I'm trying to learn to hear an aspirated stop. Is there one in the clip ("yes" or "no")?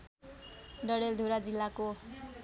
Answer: no